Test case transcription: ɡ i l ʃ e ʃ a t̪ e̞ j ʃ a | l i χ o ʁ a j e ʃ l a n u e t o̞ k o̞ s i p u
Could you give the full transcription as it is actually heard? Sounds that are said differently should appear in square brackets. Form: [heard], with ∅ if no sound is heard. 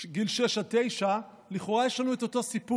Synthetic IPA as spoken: ɡ i l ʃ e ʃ a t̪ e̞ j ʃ a | l i χ o ʁ a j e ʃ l a n u e t o̞ [t] o̞ s i p u